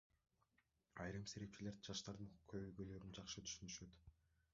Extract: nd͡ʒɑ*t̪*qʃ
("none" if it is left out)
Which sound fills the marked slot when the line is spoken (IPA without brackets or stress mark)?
none